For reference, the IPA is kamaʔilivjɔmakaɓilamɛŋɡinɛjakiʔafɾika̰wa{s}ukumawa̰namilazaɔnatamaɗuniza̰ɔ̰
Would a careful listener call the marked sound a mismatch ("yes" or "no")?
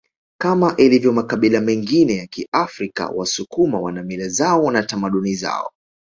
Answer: no